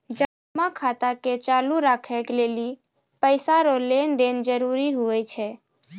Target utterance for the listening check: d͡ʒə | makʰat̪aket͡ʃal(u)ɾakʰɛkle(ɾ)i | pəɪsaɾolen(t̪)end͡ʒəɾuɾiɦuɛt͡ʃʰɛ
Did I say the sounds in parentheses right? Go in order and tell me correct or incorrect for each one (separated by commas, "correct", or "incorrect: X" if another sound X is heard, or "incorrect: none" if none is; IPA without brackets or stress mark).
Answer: correct, incorrect: l, incorrect: d̪